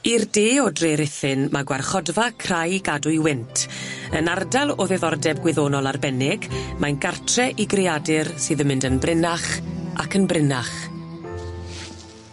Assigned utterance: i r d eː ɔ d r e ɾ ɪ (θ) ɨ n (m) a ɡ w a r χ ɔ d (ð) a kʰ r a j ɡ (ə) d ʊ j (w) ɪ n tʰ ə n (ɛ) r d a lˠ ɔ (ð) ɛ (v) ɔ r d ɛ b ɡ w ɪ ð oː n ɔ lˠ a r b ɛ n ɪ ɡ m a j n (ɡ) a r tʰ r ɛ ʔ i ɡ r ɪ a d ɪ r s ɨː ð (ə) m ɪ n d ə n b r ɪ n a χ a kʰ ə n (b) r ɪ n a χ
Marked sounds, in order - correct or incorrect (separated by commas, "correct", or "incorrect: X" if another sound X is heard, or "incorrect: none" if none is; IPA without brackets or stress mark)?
correct, correct, incorrect: v, incorrect: a, correct, incorrect: a, correct, incorrect: ð, correct, correct, correct